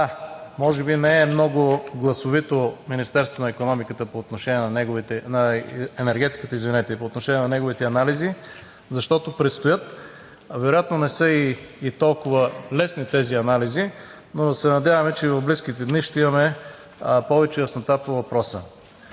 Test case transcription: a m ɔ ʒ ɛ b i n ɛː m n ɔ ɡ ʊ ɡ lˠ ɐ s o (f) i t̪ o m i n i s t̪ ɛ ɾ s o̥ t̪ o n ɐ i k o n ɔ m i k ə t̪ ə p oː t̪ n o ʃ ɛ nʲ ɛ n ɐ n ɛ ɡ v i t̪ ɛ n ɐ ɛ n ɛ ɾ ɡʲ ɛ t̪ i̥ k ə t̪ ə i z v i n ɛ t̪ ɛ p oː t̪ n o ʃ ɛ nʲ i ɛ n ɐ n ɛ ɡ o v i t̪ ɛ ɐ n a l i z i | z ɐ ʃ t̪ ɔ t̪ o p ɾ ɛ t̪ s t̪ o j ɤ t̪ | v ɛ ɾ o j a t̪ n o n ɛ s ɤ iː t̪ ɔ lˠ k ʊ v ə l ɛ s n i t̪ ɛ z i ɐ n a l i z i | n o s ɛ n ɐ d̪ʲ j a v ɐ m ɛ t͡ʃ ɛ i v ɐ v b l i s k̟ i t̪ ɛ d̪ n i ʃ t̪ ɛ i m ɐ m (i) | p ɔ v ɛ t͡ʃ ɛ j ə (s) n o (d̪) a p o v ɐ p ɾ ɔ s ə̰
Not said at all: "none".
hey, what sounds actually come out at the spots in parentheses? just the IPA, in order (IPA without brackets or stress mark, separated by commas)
v, ɛ, s, t̪